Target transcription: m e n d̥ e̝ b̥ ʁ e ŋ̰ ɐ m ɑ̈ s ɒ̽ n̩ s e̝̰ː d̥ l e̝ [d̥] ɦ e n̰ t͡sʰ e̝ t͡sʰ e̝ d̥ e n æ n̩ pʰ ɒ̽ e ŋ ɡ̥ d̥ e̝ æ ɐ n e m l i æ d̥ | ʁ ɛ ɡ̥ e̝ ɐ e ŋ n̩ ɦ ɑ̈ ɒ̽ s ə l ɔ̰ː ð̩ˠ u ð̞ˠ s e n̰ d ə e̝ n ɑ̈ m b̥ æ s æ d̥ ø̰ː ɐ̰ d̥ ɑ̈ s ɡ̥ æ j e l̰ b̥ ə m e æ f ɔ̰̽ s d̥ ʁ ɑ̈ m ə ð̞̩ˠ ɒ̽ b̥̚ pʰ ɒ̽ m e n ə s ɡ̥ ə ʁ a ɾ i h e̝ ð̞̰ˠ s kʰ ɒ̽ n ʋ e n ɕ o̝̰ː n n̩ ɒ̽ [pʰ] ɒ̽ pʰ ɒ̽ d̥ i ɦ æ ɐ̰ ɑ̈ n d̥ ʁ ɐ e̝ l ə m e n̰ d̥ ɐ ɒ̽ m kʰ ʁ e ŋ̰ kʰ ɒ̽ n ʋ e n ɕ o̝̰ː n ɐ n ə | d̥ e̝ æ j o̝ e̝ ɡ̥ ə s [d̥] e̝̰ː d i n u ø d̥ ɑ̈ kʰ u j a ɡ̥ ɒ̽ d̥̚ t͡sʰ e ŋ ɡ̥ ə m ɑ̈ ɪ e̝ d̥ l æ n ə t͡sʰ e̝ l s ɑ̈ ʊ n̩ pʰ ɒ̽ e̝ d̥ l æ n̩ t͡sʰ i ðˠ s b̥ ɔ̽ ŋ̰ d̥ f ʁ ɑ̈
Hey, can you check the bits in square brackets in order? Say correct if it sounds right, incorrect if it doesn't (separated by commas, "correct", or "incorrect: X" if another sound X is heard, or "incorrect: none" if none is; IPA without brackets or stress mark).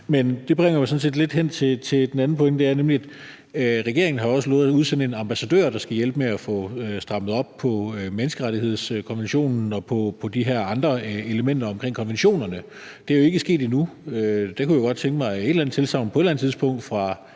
correct, correct, incorrect: ɡ̥